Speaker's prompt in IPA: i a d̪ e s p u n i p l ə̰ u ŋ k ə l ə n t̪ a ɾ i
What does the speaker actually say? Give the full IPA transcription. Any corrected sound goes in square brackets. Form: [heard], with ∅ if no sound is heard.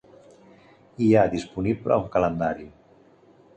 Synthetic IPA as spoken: i a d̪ [i] s p u n i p l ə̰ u ŋ k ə l ə n [d̪] a ɾ i